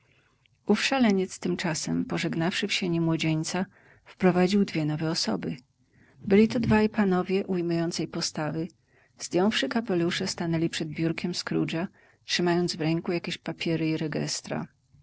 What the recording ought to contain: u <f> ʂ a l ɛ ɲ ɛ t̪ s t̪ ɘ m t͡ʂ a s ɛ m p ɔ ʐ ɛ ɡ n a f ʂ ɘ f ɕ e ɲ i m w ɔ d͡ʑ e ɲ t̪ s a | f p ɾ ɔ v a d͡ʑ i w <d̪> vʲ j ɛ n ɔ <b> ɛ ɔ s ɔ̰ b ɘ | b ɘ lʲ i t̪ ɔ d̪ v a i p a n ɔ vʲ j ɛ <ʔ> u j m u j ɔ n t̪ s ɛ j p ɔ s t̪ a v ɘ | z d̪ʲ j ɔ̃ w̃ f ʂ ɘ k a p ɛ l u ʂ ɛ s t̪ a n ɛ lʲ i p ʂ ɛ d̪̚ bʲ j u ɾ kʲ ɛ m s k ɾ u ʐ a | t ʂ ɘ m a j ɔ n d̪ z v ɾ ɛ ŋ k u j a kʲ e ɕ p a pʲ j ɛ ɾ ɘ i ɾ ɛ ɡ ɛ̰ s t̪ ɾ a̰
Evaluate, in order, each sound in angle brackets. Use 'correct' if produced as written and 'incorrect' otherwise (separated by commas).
correct, correct, incorrect, correct